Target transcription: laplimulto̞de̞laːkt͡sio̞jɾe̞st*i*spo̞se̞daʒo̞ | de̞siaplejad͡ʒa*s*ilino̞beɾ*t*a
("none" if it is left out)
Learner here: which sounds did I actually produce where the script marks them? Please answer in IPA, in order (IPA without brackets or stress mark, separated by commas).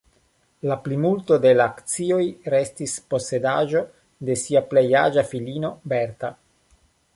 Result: i, f, t